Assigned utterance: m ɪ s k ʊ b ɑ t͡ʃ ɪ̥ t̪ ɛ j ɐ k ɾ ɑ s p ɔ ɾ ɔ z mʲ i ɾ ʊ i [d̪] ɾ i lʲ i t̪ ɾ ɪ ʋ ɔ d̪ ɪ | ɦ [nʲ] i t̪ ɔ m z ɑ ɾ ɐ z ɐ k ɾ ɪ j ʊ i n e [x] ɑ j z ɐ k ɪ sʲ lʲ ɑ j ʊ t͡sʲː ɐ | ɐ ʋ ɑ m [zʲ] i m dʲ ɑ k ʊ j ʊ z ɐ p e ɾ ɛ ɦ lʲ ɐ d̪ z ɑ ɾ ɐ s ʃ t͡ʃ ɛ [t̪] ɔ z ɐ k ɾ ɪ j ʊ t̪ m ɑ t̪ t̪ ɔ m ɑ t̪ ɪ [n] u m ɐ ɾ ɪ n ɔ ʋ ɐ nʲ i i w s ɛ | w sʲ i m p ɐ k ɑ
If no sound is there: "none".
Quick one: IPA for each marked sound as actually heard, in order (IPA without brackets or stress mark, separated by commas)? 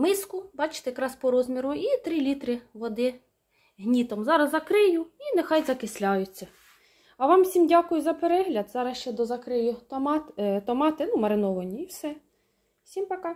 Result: t̪, nʲ, x, sʲ, d̪, n